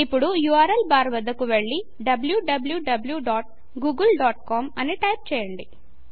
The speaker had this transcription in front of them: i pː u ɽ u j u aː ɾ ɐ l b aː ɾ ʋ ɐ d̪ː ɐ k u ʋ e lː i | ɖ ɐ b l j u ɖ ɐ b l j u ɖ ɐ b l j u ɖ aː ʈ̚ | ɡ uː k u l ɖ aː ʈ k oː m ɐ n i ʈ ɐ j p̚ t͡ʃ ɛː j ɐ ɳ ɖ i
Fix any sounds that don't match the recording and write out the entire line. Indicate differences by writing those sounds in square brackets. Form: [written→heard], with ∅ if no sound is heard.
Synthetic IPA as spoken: i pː u ɽ u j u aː ɾ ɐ l b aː ɾ ʋ ɐ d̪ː ɐ k u ʋ e [lː→ɭː] i | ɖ ɐ b l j u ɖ ɐ b l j u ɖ ɐ b l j u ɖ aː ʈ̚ | ɡ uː [k→ɡ] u l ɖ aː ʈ k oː m ɐ n i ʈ ɐ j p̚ t͡ʃ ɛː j ɐ ɳ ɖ i

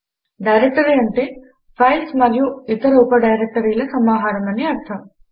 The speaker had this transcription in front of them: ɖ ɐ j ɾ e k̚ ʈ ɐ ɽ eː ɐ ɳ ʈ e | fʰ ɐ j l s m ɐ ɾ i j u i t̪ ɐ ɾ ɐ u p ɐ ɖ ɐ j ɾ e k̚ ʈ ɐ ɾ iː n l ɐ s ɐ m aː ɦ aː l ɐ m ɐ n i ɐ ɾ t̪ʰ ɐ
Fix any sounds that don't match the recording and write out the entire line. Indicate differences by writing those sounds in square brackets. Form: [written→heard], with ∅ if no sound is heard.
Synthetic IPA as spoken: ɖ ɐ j ɾ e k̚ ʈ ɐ [ɽ→ɾ] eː ɐ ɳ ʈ e | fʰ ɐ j l s m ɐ ɾ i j u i t̪ ɐ ɾ ɐ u p ɐ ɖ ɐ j ɾ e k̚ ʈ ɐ ɾ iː [n→∅] l ɐ s ɐ m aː ɦ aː [l→ɾ] ɐ m ɐ n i ɐ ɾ t̪ʰ ɐ

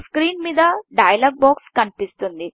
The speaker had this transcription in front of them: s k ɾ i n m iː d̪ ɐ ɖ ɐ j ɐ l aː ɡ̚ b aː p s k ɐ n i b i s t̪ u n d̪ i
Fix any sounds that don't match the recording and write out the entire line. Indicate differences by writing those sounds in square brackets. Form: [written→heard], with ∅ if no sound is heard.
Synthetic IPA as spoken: s k ɾ [i→iː] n m iː d̪ ɐ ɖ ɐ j ɐ l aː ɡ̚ b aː [p→k] s k ɐ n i [b→p] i s t̪ u n d̪ i

